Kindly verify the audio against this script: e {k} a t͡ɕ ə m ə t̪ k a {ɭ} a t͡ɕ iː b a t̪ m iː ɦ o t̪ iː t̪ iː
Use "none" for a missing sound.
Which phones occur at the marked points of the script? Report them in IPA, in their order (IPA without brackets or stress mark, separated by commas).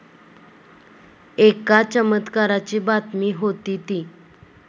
k, ɾ